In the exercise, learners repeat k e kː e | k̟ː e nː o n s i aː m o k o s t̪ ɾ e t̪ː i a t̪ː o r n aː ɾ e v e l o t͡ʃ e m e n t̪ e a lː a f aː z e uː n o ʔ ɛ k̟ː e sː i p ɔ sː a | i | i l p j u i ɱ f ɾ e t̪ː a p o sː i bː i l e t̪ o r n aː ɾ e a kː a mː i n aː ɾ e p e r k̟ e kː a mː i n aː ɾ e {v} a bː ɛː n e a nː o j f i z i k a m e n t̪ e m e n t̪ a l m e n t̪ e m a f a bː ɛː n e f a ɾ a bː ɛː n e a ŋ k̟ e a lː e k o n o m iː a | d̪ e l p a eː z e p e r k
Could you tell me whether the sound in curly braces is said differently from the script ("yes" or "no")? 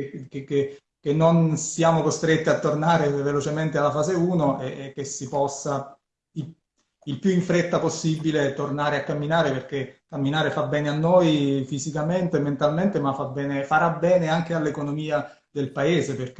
yes